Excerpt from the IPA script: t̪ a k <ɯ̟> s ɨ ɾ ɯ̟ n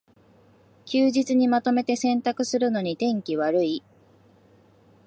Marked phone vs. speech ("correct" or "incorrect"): correct